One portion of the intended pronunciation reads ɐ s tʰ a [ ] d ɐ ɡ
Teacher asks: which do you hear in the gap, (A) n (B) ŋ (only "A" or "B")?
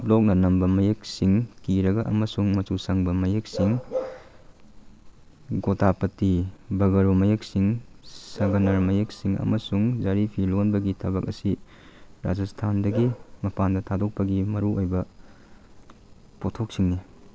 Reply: A